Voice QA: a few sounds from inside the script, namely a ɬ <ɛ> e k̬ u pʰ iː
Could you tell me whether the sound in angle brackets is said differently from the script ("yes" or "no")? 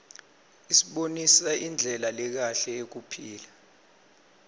no